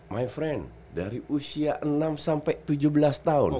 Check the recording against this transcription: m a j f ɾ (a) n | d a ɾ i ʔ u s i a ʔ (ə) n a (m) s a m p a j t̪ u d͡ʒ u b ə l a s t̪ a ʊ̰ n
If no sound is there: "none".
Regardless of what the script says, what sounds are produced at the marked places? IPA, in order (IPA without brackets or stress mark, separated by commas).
ɛ, ə, m